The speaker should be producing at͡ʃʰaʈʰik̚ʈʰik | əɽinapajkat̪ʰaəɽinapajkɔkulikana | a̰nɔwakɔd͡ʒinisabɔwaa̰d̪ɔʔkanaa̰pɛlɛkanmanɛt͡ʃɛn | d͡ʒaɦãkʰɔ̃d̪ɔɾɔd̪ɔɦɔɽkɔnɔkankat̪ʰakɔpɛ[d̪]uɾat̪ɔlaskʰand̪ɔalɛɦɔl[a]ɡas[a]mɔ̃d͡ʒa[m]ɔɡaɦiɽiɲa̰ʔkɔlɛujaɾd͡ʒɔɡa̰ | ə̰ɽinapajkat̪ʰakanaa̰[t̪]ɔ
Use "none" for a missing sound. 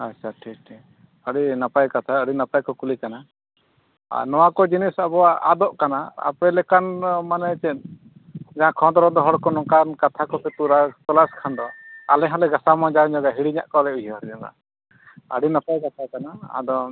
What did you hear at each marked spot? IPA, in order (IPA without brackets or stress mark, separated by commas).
t̪, ɛ, a, ɲ, d̪